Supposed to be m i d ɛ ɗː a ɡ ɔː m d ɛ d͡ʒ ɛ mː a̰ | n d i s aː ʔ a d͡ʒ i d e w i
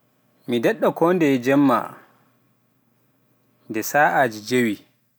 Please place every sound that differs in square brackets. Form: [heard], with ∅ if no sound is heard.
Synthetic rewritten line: m i d ɛ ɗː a [k] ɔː [n] d ɛ d͡ʒ ɛ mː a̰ | n d [ɛ] s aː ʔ a d͡ʒ i [d͡ʒ] e w i